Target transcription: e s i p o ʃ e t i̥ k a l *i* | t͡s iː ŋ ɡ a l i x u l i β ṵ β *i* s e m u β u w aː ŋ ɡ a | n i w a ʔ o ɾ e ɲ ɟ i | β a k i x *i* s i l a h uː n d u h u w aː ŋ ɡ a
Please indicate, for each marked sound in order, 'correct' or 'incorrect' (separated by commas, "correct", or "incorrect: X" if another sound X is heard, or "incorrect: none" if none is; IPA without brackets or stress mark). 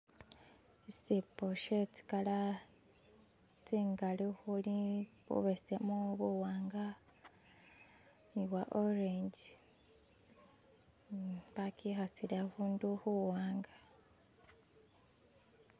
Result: incorrect: a, incorrect: e, incorrect: a